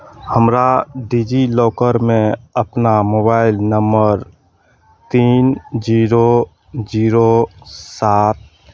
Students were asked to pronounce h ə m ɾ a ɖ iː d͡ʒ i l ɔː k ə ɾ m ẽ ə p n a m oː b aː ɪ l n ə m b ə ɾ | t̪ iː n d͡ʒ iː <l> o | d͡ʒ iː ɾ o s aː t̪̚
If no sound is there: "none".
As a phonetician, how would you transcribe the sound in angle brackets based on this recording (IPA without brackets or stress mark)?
ɾ